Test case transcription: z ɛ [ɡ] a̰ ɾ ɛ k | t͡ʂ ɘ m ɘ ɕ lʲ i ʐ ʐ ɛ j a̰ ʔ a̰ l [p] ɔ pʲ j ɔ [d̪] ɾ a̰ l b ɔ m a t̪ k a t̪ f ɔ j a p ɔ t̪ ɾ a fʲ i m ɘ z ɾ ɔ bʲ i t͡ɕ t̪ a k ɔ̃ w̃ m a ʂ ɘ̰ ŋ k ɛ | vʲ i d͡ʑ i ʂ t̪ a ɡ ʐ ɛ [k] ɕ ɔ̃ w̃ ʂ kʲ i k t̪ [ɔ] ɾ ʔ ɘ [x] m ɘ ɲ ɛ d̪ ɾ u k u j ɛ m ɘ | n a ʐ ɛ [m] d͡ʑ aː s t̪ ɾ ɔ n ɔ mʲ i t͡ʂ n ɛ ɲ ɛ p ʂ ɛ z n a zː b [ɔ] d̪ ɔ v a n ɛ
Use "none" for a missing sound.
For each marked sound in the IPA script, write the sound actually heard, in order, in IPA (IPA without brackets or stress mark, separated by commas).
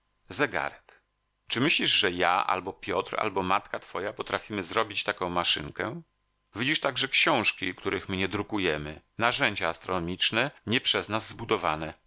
ɡ, b, t̪, k, u, x, ɲ, u